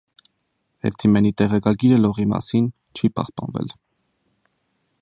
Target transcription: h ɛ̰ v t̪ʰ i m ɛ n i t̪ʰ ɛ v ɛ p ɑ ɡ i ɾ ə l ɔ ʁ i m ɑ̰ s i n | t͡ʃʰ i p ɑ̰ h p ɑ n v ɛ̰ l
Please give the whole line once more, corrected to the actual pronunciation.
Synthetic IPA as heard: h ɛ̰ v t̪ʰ i m ɛ n i t̪ ɛ ʁ ɛ k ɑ ɡ i ɾ ə l ɔ ʁ i m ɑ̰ s i n | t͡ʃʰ i p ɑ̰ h p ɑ n v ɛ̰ l